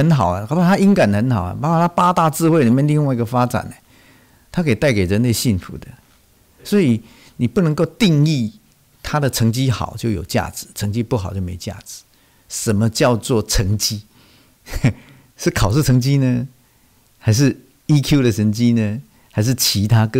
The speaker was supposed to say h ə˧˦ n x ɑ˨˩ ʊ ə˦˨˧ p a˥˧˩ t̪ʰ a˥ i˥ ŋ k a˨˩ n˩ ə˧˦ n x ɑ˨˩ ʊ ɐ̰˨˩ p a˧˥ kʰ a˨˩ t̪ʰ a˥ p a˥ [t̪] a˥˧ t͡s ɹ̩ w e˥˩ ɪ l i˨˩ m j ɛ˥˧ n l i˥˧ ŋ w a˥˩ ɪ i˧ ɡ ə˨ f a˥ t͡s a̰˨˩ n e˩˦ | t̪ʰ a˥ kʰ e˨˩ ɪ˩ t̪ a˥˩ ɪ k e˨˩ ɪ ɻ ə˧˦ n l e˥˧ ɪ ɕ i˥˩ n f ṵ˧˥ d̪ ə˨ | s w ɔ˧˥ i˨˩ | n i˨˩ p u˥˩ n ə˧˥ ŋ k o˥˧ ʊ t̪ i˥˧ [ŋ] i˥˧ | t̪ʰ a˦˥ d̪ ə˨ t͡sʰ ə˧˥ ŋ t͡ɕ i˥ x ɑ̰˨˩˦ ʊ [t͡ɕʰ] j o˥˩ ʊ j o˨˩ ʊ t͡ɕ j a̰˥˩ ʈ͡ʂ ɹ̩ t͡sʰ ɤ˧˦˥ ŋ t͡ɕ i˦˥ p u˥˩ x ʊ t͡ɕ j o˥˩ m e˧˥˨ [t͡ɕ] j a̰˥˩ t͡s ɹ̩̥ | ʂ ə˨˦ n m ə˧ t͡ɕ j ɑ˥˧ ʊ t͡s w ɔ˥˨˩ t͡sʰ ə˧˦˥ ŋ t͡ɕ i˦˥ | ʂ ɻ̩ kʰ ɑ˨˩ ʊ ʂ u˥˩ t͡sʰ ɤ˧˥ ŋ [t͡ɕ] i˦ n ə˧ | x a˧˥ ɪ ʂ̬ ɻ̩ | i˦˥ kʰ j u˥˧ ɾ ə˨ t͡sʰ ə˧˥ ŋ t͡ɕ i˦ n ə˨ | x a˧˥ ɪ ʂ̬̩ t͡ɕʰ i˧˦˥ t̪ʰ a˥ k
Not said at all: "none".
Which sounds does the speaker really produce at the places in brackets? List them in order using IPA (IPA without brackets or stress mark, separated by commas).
t̪, ŋ, t͡ɕ, t͡ɕ, t͡ɕ